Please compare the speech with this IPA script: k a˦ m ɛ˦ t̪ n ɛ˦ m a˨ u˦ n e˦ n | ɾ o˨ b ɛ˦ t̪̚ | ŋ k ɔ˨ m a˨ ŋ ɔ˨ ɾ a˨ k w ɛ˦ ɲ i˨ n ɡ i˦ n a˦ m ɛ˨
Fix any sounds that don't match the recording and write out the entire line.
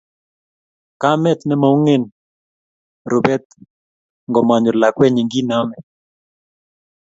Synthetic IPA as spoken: k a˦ m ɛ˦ t̪ n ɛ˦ m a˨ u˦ ŋ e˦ n | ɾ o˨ b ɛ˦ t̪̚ | ŋ ɡ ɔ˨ m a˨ ɲ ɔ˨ l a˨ k w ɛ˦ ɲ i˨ ŋ ɡ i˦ n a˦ m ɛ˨